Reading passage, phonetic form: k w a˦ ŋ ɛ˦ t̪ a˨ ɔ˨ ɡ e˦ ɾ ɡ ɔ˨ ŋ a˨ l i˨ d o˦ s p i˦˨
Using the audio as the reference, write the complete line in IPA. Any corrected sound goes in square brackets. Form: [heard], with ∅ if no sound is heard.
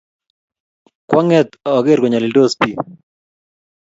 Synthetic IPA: k w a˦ ŋ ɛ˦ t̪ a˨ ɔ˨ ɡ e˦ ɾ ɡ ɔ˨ [ɲ] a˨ l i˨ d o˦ s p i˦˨